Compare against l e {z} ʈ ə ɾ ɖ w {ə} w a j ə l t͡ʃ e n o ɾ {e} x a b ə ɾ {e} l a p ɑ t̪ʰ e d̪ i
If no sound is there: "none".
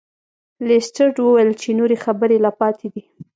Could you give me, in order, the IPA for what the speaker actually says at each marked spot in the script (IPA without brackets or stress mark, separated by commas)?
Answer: s, ə, e, e